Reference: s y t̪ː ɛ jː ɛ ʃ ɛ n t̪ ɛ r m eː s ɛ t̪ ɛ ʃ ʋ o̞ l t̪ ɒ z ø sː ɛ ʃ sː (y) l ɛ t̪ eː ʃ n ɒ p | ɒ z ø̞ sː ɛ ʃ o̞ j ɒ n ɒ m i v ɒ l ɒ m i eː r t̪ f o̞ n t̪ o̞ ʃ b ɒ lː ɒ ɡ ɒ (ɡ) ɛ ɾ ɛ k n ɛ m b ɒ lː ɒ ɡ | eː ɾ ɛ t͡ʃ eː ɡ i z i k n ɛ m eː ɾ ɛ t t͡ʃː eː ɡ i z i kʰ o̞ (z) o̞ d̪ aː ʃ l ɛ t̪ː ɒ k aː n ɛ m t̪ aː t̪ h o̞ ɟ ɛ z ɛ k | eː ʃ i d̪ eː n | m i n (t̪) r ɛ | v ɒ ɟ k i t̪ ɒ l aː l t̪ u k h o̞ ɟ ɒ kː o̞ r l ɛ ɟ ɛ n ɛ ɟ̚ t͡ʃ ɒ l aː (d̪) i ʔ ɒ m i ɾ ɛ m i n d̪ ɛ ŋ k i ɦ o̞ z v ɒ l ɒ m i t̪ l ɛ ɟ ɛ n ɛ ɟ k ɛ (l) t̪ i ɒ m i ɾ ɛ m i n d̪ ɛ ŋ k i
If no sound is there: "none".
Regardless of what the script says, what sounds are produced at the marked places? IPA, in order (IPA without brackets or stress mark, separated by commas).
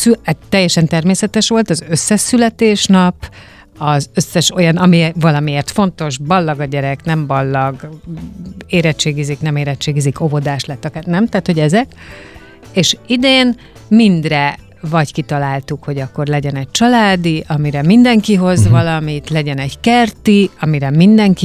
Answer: y, ɟ, v, d̪, d̪, r